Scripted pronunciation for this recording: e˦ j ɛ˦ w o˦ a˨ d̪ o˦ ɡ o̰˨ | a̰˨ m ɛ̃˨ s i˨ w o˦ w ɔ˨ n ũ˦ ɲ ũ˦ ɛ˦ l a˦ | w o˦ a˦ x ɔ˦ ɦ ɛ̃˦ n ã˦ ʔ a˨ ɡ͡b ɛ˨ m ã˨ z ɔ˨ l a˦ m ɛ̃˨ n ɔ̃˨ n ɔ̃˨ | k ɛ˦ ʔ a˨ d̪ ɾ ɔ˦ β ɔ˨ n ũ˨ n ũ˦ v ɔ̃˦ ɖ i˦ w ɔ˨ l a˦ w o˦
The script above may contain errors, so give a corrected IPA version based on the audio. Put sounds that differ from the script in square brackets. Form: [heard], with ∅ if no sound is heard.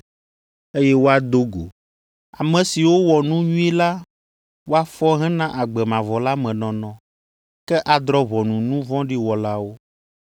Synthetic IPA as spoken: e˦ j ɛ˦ w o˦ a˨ d̪ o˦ ɡ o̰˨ | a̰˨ m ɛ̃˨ s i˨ w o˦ w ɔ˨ n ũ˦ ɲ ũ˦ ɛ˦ l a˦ | w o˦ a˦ [f] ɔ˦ ɦ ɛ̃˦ n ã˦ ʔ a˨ ɡ͡b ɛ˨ m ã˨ [v] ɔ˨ l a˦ m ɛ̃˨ n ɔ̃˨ n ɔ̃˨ | k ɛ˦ ʔ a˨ d̪ ɾ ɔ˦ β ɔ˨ n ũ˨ n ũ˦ v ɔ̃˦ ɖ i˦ w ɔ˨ l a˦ w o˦